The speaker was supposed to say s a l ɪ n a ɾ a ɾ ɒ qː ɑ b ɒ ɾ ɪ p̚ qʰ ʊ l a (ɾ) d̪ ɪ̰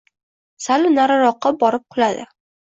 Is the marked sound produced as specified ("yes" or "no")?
no